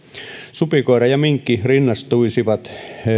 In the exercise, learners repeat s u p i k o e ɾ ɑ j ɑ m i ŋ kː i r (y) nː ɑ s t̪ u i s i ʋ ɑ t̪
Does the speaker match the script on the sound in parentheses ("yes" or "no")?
no